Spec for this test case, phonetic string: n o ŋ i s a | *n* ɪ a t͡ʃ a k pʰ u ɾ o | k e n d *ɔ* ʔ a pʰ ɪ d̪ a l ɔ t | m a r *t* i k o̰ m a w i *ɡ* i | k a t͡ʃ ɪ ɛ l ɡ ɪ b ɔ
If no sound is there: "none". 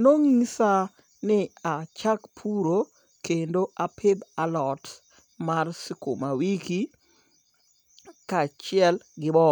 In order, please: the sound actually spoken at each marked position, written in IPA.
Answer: n, o, s, k

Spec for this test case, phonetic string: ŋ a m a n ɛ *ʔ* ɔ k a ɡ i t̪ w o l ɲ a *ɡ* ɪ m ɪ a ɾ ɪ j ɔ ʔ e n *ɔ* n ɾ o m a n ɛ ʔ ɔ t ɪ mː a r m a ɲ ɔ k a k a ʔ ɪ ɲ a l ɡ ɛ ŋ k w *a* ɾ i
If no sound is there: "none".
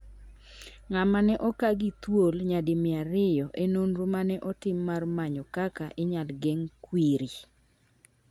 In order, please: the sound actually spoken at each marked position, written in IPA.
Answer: ʔ, d, o, i

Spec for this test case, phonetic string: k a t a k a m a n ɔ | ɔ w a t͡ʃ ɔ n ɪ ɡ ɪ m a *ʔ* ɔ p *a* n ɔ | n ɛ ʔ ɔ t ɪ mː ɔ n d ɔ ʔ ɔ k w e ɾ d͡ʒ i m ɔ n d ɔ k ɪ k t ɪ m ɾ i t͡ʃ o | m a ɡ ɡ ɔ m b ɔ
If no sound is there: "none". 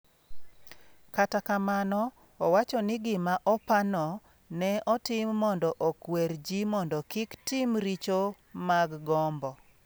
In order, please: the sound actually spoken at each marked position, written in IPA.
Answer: ʔ, a

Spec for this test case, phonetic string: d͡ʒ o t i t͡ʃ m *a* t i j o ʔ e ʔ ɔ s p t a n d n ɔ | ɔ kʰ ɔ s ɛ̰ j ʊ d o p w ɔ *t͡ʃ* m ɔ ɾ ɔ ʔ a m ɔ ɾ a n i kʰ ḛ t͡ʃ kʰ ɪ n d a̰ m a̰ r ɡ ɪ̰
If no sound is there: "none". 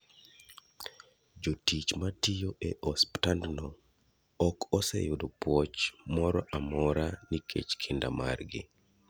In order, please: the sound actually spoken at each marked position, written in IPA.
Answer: a, t͡ʃ

